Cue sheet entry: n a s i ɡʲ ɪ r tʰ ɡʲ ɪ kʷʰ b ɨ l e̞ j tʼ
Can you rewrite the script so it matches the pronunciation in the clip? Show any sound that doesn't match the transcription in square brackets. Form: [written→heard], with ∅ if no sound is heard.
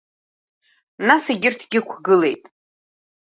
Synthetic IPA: n a s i ɡʲ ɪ r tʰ ɡʲ ɪ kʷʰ [b→ɡ] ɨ l e̞ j tʼ

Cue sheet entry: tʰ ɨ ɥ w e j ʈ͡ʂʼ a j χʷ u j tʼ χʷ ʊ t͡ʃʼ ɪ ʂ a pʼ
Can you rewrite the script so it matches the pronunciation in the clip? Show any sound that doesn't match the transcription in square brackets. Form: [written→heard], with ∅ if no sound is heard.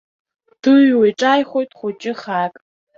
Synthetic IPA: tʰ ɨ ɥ w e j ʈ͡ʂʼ a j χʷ [u→o] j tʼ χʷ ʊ t͡ʃʼ ɪ [ʂ→χ] a [pʼ→kʼ]

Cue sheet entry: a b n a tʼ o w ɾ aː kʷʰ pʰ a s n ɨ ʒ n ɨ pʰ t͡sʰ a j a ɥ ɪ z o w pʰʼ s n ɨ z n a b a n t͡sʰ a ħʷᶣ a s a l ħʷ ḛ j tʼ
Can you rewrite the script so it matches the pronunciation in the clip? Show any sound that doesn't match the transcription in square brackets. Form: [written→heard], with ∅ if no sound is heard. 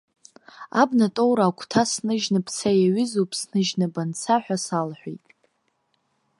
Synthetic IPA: a b n a tʼ o w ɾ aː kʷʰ [pʰ→tʰ] a s n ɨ ʒ n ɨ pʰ t͡sʰ a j a ɥ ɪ z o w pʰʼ s n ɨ [z→ʒ] n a b a n t͡sʰ a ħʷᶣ a s a l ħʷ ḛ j tʼ

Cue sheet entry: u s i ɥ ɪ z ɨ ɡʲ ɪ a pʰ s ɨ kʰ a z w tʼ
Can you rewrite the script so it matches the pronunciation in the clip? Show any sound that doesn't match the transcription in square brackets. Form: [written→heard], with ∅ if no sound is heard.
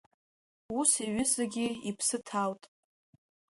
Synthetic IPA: u s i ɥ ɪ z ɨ ɡʲ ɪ [a→i] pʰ s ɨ [kʰ→tʰ] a [z→∅] w tʼ

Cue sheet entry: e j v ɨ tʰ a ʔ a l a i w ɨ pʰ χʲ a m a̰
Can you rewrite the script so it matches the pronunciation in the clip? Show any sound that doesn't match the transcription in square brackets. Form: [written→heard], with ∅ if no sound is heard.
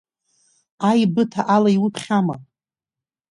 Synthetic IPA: [e→a] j [v→b] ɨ tʰ a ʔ a l a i w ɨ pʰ χʲ a m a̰

